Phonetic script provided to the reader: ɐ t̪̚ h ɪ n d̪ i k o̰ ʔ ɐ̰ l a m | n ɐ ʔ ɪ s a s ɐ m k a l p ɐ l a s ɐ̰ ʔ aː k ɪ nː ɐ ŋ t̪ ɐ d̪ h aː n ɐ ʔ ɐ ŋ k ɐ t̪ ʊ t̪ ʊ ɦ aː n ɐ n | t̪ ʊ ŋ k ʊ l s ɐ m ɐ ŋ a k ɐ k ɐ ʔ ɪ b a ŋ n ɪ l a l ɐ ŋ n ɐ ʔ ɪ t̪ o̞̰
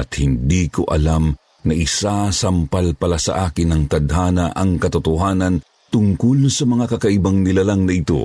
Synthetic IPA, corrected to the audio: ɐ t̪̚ h ɪ n d̪ i k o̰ ʔ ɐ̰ l a m | n ɐ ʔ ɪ s a s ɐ m p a l p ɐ l a s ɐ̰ ʔ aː k ɪ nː ɐ ŋ t̪ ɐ d̪ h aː n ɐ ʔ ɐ ŋ k ɐ t̪ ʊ t̪ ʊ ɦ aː n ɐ n | t̪ ʊ ŋ k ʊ l s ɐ m ɐ ŋ a k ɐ k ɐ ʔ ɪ b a ŋ n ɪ l a l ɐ ŋ n ɐ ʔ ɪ t̪ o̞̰